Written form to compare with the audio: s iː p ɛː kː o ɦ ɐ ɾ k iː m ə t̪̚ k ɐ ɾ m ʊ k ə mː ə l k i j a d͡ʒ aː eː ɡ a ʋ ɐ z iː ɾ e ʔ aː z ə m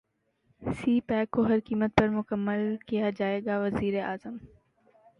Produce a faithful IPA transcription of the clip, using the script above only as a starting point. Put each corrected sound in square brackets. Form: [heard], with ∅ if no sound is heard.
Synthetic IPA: s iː p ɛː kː o ɦ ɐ ɾ k iː m ə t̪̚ [p] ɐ ɾ m ʊ k ə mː ə l k i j a d͡ʒ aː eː ɡ a ʋ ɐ z iː ɾ e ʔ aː z ə m